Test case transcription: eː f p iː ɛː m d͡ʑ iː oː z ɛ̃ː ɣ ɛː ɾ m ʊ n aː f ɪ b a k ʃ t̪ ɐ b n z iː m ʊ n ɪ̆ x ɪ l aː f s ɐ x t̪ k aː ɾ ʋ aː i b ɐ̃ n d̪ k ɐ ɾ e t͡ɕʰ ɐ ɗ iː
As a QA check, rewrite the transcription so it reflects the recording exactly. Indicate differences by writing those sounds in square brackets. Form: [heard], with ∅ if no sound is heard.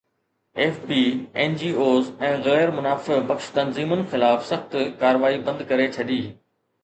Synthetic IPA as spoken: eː f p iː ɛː [n] d͡ʑ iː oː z ɛ̃ː ɣ ɛː ɾ m ʊ n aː f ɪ b [ɐ] k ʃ t̪ ɐ [∅] n z iː m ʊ n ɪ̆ x ɪ l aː f s ɐ x t̪ k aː ɾ ʋ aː i b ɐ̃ n d̪ k ɐ ɾ e t͡ɕʰ ɐ ɗ iː